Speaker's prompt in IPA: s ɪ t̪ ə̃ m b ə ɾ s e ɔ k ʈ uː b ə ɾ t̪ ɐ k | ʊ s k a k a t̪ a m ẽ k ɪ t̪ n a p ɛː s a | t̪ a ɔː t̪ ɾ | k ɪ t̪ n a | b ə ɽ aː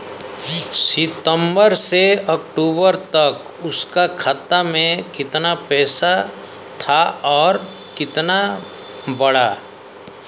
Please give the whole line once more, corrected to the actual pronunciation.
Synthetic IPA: s ɪ t̪ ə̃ m b ə ɾ s e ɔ k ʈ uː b ə ɾ t̪ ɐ k | ʊ s k a kʰ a t̪ a m ẽ k ɪ t̪ n a p ɛː s a | t̪ʰ a ɔː ɾ | k ɪ t̪ n a | b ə ɽ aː